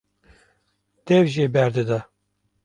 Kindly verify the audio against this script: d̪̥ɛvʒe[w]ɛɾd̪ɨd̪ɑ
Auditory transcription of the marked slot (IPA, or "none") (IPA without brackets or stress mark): b